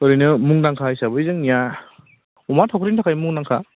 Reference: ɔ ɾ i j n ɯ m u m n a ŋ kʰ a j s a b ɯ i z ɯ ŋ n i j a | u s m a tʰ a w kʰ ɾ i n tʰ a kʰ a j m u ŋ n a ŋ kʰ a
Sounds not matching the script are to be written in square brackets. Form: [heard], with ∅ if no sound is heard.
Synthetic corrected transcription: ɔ ɾ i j n ɯ m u [ŋ] n a ŋ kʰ a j s a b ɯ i z ɯ ŋ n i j a | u [∅] m a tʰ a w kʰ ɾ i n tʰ a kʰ a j m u ŋ n a ŋ kʰ a